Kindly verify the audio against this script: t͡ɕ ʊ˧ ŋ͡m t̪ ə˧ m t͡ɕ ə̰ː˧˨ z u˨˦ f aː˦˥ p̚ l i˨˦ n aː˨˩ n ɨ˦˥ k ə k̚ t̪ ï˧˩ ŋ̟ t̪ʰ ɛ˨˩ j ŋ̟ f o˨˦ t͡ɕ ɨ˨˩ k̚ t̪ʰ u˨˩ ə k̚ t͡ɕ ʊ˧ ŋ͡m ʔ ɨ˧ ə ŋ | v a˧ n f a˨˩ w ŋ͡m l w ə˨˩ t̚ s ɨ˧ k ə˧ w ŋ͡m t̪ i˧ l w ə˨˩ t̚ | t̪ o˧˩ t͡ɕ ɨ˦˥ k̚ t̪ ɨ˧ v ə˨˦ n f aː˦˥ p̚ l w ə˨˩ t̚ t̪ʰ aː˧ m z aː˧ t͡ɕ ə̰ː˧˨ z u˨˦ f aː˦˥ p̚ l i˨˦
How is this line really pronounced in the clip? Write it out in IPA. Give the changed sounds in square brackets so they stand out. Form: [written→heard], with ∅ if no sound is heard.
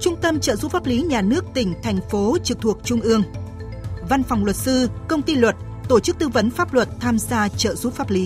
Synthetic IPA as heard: t͡ɕ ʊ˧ ŋ͡m t̪ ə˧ m t͡ɕ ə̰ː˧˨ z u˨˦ f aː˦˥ p̚ l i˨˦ [n→ɲ] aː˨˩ n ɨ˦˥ [k→∅] ə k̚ t̪ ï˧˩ ŋ̟ t̪ʰ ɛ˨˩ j ŋ̟ f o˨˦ t͡ɕ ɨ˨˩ k̚ t̪ʰ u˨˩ ə k̚ t͡ɕ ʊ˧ ŋ͡m ʔ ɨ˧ ə ŋ | v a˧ n f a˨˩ w ŋ͡m l w ə˨˩ t̚ s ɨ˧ k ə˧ w ŋ͡m t̪ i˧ l w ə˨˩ t̚ | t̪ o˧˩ t͡ɕ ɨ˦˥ k̚ t̪ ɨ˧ v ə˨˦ n f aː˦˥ p̚ l w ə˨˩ t̚ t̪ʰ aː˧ m z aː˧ t͡ɕ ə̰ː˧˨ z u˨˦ f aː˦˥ p̚ l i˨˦